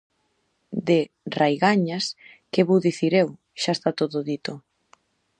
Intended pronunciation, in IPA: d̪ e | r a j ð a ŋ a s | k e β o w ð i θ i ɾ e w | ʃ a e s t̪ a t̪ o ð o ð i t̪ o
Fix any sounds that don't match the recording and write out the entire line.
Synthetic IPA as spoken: d̪ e | r a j ɣ a ɲ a s | k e β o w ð i θ i ɾ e w | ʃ a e s t̪ a t̪ o ð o ð i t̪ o